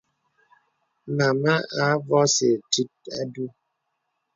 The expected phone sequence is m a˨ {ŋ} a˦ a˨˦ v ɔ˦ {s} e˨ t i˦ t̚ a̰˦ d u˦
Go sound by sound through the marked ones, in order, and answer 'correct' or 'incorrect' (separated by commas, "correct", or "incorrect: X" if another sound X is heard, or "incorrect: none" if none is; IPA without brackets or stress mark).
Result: incorrect: m, correct